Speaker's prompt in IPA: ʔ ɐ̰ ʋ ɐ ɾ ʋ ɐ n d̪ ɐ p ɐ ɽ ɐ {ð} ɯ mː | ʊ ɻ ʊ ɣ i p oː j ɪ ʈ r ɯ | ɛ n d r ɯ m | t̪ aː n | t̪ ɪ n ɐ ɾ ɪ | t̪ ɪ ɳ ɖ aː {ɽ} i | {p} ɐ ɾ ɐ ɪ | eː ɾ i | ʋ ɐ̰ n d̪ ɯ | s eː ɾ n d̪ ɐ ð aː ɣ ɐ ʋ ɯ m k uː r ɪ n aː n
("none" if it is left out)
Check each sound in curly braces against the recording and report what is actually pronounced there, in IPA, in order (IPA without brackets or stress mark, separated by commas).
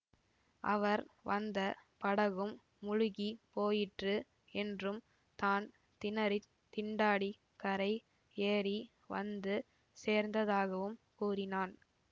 ɣ, ɽ, k